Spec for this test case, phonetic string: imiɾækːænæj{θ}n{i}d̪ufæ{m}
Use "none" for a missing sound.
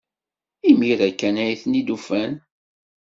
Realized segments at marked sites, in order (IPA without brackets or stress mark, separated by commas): θ, i, n